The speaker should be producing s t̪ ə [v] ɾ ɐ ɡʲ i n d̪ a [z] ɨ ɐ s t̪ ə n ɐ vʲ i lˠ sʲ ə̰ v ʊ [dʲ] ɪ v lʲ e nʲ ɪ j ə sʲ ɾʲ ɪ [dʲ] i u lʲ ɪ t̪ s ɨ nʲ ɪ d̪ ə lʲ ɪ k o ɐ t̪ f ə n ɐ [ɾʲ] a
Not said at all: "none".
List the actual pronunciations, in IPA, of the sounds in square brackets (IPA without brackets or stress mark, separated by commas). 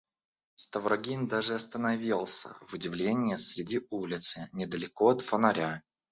v, ʐ, dʲ, dʲ, ɾʲ